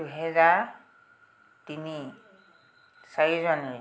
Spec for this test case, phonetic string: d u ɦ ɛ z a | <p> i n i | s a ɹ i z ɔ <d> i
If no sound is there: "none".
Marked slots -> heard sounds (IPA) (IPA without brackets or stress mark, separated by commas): t, n